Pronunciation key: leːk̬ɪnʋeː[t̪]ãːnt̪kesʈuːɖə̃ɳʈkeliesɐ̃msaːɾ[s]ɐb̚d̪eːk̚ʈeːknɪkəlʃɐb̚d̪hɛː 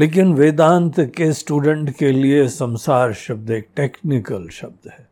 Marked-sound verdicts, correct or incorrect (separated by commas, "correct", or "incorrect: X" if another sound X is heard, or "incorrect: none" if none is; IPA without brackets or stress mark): incorrect: d̪, incorrect: ʃ